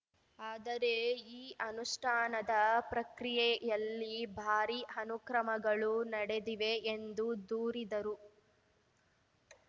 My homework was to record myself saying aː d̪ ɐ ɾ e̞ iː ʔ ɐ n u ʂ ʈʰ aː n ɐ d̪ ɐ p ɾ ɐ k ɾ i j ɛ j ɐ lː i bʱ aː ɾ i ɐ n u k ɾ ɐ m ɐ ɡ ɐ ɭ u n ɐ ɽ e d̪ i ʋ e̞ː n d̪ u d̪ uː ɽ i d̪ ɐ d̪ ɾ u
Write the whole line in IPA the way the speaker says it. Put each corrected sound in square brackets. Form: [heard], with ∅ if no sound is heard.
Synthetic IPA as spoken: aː d̪ ɐ ɾ e̞ iː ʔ ɐ n u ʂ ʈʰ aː n ɐ d̪ ɐ p ɾ ɐ k ɾ i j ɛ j ɐ lː i bʱ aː ɾ i ɐ n u k ɾ ɐ m ɐ ɡ ɐ ɭ u n ɐ ɽ e d̪ i ʋ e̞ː n d̪ u d̪ uː [ɾ] i d̪ ɐ [∅] ɾ u